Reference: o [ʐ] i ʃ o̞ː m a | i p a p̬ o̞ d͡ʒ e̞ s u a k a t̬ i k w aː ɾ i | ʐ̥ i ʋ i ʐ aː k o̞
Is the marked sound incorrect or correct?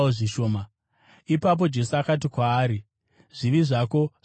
correct